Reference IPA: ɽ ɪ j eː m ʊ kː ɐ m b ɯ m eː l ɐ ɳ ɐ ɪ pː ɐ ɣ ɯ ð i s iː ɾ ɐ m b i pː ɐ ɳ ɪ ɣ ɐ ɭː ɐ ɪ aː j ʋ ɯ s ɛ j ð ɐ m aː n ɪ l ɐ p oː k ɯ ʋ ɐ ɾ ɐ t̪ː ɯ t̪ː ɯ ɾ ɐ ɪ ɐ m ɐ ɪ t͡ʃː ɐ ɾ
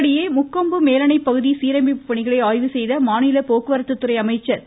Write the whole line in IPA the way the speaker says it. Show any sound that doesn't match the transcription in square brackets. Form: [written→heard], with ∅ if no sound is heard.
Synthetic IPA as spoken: ɽ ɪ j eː m ʊ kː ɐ m b ɯ m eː l ɐ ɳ ɐ ɪ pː ɐ ɣ ɯ ð i s iː ɾ ɐ m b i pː ɐ ɳ ɪ ɣ ɐ [ɭː→ɭ] ɐ ɪ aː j ʋ ɯ s ɛ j ð ɐ m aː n ɪ l ɐ p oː k ɯ ʋ ɐ ɾ ɐ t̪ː ɯ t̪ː ɯ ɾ ɐ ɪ ɐ m ɐ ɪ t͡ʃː ɐ ɾ